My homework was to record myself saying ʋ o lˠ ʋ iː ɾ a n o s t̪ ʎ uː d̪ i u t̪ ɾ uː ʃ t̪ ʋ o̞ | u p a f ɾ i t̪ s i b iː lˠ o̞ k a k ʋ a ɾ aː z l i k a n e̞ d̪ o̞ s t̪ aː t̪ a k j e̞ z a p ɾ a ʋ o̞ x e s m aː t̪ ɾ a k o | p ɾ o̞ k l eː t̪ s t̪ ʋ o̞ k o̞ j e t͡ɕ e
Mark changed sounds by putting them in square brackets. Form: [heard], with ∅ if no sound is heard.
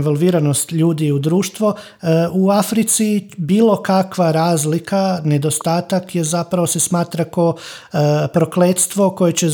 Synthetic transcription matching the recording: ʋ o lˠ ʋ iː ɾ a n o s t̪ ʎ uː d̪ i u [d̪] ɾ uː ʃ t̪ ʋ o̞ | u [∅] a f ɾ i t̪ s i b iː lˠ o̞ k a k ʋ a ɾ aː z l i k a n e̞ d̪ o̞ s t̪ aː t̪ a k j e̞ z a p ɾ a ʋ o̞ [s] e s m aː t̪ ɾ a k o | p ɾ o̞ k l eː t̪ s t̪ ʋ o̞ k o̞ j e t͡ɕ e